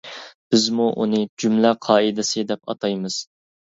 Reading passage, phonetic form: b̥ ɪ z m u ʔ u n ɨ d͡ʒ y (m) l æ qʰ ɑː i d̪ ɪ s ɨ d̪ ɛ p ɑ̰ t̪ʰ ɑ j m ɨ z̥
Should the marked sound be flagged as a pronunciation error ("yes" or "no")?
no